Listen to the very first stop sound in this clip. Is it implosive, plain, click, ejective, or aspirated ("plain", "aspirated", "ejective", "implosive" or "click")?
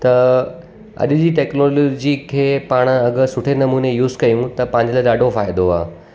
plain